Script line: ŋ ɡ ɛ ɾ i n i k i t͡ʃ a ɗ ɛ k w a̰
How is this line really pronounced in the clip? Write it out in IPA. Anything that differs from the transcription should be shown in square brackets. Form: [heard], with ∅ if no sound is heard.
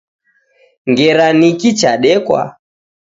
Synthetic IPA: ŋ ɡ ɛ ɾ [a] n i k i t͡ʃ a ɗ ɛ k w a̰